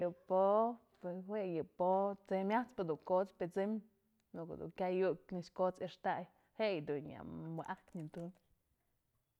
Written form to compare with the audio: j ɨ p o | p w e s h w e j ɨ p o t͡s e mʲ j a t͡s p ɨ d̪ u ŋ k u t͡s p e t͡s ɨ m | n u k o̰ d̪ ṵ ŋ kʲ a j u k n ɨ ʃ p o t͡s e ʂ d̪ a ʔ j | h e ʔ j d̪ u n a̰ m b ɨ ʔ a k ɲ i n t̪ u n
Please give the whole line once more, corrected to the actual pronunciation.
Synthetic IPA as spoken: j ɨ p o | p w e s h w e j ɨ p o t͡s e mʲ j a t͡s p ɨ d̪ u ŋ k o t͡s p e t͡s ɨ m | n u k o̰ d̪ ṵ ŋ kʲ a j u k n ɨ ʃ k o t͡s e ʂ t̪ a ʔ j | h e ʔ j d̪ u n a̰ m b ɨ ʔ a k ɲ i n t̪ u n

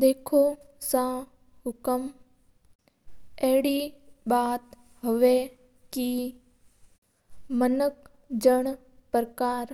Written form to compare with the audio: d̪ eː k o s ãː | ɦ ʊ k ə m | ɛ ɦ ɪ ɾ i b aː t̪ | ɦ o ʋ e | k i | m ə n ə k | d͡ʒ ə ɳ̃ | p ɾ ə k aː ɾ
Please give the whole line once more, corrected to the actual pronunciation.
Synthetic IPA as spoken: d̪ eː kʰ o s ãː | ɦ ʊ k ə m | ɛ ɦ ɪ ɽ i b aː t̪ | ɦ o ʋ e | k i | m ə n ə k | d͡ʒ ə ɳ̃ | p ɾ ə k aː ɾ

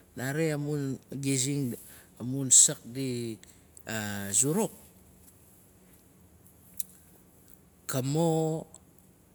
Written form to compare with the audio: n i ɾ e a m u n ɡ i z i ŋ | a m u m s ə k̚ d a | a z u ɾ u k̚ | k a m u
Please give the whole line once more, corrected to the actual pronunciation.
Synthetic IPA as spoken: n a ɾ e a m u n ɡ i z i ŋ | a m u n s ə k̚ d i | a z u ɾ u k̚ | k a m o

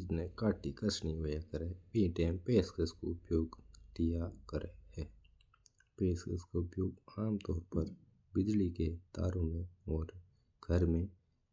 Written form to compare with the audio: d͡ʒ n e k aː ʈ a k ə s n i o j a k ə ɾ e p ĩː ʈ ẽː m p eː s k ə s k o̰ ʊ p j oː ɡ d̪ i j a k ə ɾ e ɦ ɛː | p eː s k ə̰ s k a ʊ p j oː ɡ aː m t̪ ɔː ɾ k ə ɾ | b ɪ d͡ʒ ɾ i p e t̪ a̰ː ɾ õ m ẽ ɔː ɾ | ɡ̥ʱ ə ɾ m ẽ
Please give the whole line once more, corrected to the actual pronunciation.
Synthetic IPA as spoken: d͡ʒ n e k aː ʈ i k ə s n i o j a k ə ɾ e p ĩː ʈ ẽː m p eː s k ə s k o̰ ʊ p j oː ɡ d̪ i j a k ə ɾ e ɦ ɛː | p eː s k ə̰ s k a ʊ p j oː ɡ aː m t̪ ɔː ɾ p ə ɾ | b ɪ d͡ʒ l i k e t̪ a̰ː ɾ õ m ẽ ɔː ɾ | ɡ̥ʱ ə ɾ m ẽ

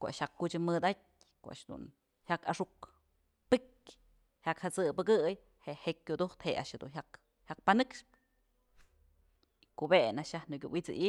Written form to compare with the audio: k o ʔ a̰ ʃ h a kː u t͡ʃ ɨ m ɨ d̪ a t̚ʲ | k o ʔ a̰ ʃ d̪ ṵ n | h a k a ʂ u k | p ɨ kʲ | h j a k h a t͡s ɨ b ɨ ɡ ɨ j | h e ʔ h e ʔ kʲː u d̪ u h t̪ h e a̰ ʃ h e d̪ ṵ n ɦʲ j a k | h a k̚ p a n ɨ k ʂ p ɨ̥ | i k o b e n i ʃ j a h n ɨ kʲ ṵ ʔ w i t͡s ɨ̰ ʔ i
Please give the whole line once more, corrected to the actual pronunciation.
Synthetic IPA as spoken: k o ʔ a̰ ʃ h a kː u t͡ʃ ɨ m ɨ d̪ a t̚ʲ | k o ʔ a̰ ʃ d̪ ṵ n | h a k a ʂ u k | p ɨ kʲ | h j a k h a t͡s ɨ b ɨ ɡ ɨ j | h e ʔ h e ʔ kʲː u d̪ u h t̪ h e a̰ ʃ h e d̪ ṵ n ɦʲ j a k | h a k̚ p a n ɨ k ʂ p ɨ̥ | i k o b e n a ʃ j a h n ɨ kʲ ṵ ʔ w i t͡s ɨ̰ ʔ i

